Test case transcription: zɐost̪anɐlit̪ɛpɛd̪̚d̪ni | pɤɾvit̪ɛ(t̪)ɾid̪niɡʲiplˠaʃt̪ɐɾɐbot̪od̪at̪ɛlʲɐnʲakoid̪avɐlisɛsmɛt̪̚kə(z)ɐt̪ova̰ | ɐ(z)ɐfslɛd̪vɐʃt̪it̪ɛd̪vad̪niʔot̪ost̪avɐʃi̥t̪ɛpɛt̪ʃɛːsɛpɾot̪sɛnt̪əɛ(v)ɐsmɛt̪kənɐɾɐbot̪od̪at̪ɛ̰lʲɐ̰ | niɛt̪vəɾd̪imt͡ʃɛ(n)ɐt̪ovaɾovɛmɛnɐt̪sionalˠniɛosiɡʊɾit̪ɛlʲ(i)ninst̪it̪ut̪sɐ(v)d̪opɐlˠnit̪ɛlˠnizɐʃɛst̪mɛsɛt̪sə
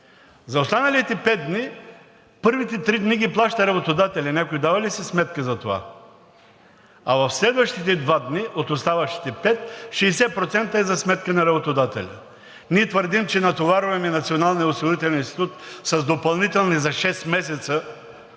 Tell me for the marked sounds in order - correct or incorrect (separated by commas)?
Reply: correct, correct, incorrect, incorrect, correct, incorrect, incorrect